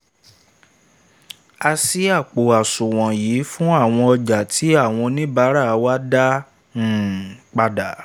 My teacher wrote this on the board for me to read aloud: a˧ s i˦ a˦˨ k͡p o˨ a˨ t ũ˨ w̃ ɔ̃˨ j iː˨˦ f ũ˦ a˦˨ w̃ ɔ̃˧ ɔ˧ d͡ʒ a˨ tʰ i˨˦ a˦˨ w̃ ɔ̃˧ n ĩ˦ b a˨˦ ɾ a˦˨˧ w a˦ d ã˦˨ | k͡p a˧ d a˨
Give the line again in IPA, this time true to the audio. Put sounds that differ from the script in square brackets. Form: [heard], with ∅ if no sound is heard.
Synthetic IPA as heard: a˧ s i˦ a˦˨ k͡p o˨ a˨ [s] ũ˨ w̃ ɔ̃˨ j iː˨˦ f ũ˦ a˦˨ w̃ ɔ̃˧ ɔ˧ d͡ʒ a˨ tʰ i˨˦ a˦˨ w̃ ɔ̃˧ n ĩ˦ b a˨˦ ɾ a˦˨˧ w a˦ d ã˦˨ | k͡p a˧ d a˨